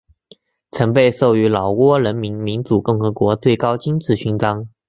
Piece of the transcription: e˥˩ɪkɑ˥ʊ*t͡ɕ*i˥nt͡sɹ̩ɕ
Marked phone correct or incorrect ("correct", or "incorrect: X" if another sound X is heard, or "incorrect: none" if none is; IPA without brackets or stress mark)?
correct